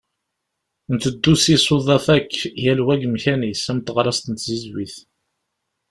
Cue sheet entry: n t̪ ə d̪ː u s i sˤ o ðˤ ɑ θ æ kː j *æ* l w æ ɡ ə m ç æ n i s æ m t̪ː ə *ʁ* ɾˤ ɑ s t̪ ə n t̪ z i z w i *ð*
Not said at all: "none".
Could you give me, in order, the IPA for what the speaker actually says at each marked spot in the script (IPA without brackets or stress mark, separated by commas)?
æ, ʁ, θ